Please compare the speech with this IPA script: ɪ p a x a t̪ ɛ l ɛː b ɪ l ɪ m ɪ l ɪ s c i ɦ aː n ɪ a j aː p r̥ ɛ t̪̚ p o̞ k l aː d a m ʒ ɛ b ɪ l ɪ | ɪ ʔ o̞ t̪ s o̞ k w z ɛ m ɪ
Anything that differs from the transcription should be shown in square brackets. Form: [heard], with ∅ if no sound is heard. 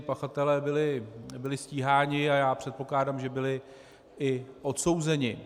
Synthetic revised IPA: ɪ p a x a t̪ ɛ l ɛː b ɪ l ɪ [b] ɪ l ɪ s c [iː] ɦ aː [ɲ] ɪ a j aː p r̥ ɛ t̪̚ p o̞ k l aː d a m ʒ ɛ b ɪ l ɪ | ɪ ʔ o̞ t̪ s o̞ [∅] w z ɛ [ɲ] ɪ